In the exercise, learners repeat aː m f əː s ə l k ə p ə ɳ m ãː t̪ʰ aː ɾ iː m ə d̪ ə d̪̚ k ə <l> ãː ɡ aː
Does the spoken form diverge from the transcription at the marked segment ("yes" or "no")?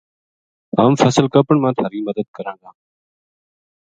yes